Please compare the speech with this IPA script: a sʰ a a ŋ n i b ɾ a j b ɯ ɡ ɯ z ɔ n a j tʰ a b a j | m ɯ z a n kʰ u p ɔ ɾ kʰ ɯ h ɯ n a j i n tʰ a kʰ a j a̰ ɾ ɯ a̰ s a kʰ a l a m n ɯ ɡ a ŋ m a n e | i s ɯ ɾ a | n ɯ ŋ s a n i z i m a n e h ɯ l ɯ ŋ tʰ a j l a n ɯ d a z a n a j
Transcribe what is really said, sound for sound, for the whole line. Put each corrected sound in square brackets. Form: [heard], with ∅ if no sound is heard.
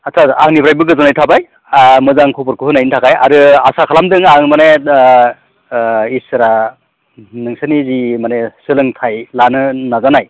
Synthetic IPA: a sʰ a a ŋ n i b ɾ a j b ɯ ɡ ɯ z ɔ n a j tʰ a b a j | m ɯ z a [ŋ] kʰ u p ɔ ɾ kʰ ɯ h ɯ n a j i n tʰ a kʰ a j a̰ ɾ ɯ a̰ s a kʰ a l a m [d] ɯ [ŋ] a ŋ m a n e | i s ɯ ɾ a | n ɯ ŋ s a n i z i m a n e [s] ɯ l ɯ ŋ tʰ a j l a n ɯ [n] a z a n a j